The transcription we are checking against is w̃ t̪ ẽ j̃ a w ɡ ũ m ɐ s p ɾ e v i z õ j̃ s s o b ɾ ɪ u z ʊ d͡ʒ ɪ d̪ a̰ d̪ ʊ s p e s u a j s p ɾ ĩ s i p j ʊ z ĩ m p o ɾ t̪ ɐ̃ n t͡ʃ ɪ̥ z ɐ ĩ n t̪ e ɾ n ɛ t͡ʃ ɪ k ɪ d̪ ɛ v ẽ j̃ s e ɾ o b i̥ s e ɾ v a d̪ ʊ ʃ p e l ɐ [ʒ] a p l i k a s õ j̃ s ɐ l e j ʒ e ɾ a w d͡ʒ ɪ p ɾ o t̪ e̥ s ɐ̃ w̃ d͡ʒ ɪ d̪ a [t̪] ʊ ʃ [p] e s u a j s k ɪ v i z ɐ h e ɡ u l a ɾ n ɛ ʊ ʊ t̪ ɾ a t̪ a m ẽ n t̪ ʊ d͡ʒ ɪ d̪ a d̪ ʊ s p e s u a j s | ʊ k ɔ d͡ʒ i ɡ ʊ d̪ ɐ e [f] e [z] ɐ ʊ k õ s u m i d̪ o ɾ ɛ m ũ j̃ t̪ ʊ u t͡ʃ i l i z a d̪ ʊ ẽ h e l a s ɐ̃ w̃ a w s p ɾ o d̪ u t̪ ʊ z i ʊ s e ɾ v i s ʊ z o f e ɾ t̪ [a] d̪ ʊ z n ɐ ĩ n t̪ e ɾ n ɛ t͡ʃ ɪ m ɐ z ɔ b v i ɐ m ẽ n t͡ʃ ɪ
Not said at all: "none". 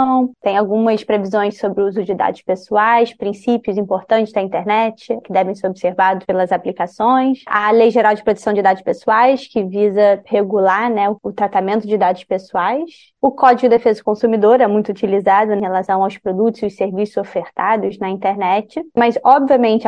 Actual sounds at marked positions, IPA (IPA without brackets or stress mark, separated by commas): z, d̪, p, f, z, a